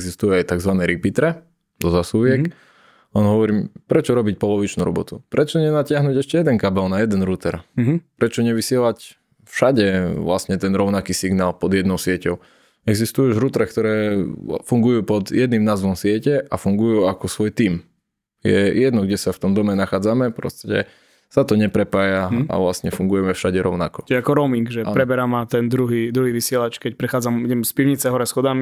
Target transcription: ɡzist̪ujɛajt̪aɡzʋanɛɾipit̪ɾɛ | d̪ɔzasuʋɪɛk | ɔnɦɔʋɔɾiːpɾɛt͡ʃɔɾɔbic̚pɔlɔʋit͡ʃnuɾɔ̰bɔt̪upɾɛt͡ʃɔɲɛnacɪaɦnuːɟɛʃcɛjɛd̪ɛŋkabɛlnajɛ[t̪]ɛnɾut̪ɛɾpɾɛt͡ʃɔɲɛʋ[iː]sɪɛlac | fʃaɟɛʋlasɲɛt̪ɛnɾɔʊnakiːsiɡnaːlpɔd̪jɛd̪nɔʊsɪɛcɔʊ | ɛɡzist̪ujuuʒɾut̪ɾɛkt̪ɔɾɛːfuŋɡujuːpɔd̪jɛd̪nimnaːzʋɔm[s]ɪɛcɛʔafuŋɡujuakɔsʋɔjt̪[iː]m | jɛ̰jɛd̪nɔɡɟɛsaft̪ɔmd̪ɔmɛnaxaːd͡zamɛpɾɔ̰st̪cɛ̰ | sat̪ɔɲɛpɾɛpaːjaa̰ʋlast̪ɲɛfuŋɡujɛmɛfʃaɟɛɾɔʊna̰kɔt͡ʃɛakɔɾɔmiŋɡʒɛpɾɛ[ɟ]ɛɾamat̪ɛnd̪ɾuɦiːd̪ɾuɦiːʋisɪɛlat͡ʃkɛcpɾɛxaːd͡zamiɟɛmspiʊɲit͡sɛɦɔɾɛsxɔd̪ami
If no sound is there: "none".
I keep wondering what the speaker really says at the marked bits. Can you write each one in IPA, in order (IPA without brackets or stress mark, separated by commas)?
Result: d̪, i, s, iː, b